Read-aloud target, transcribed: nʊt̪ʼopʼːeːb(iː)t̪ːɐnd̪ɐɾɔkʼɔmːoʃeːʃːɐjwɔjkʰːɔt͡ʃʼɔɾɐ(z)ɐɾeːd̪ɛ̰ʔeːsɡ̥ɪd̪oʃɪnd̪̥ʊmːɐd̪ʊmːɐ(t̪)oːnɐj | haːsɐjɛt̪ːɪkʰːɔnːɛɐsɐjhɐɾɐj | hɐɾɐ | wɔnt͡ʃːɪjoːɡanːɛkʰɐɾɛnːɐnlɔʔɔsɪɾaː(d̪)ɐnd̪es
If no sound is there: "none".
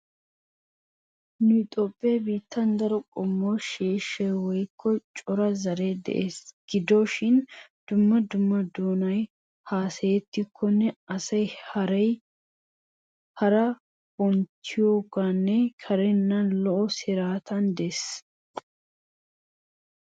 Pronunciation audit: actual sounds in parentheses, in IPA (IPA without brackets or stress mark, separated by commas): iː, z, d̪, t̪